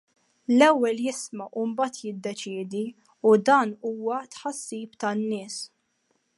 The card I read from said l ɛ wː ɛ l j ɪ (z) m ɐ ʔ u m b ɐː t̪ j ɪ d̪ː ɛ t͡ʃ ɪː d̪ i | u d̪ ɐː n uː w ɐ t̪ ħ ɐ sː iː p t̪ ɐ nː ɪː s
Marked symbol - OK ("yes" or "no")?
no